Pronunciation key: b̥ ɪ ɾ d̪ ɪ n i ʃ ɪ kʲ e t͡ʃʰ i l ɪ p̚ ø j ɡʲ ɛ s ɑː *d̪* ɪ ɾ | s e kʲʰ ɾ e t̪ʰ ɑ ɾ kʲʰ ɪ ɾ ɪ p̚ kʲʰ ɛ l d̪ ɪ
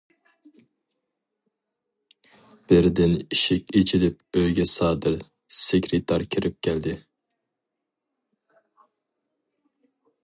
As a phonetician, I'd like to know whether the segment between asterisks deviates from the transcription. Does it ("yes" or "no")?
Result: no